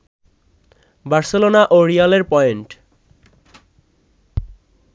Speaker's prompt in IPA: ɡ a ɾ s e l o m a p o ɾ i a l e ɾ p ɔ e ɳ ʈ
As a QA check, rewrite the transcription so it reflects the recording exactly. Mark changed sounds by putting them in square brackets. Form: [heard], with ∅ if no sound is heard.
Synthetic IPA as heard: [b] a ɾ s e l o [n] a [ʔ] o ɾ i a l e ɾ p ɔ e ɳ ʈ